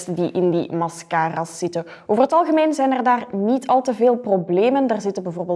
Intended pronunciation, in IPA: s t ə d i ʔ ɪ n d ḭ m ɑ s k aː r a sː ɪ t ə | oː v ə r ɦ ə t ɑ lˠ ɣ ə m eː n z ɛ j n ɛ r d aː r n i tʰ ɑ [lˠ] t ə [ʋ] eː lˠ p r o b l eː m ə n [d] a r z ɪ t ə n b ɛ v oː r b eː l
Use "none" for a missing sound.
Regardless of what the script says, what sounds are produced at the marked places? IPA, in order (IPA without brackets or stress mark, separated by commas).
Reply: lˠ, v, d